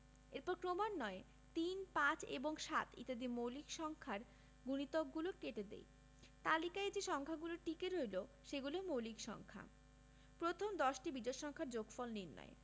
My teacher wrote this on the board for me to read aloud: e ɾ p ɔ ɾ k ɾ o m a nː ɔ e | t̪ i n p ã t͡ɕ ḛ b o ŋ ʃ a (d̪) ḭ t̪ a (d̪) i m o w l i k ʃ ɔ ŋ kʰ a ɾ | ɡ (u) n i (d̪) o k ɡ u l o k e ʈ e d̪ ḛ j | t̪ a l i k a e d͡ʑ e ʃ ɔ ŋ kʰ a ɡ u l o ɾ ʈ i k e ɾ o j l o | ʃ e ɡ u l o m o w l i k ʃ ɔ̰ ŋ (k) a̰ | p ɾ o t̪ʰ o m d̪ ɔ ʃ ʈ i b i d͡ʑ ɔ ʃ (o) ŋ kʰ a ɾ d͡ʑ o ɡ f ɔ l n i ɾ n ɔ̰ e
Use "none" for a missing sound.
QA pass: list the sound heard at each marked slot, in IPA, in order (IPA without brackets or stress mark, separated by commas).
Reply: t̪, d̪, u, t̪, kʰ, ɔ